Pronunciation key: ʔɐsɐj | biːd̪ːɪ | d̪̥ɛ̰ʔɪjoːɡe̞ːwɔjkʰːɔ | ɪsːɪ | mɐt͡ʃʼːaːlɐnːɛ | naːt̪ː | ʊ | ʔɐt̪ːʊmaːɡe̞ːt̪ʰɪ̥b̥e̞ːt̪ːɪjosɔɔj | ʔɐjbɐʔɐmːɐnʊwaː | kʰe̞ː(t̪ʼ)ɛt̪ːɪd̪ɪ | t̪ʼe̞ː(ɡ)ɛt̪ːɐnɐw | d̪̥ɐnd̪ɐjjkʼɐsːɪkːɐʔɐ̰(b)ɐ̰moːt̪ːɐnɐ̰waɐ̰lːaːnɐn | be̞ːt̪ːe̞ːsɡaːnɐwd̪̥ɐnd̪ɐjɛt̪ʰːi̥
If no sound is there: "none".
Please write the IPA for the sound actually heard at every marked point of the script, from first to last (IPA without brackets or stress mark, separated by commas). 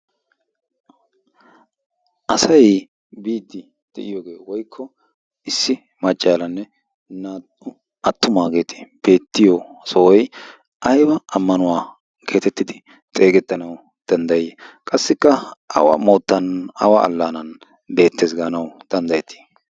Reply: t̪, ɡ, w